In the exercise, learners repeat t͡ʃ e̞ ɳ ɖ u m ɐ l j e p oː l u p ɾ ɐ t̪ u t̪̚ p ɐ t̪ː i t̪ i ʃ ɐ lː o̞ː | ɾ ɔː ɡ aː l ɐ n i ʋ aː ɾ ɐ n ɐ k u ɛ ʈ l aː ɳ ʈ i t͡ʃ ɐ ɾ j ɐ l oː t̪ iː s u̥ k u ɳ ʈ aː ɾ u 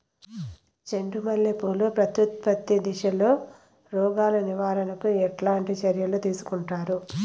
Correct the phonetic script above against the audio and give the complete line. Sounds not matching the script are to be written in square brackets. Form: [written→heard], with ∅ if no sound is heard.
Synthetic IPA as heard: t͡ʃ e̞ ɳ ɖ u m ɐ l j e p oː l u p ɾ ɐ t̪ u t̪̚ p ɐ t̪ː i [t̪→d̪] i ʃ ɐ [lː→l] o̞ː | ɾ ɔː ɡ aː l ɐ n i ʋ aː ɾ ɐ n ɐ k u ɛ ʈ l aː ɳ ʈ i t͡ʃ ɐ ɾ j ɐ l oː t̪ iː s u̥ k u ɳ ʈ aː ɾ u